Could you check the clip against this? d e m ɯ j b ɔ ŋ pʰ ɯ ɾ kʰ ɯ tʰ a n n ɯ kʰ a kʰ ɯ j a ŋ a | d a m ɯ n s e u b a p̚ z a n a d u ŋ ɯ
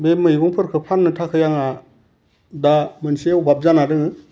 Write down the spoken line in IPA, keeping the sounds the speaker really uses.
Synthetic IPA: b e m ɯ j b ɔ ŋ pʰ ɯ ɾ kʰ ɯ pʰ a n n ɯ tʰ a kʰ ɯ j a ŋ a | d a m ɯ n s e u b a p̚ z a n a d ɯ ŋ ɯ